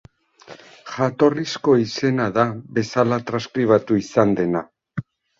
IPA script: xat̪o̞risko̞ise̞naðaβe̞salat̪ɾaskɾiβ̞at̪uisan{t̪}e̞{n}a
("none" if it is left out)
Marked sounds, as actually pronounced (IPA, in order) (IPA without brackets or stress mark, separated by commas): d̪, n